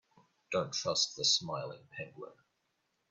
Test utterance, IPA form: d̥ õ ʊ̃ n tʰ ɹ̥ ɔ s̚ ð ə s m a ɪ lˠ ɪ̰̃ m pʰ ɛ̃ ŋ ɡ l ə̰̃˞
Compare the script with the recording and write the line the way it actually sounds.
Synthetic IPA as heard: d̥ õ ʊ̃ n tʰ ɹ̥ ʌ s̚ ð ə s m a ɪ lˠ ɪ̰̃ ŋ pʰ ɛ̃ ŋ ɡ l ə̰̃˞